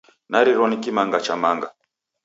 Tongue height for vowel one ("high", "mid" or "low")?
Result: low